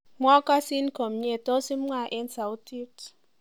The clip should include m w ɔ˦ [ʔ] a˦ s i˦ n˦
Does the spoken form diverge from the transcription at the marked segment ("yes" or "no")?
yes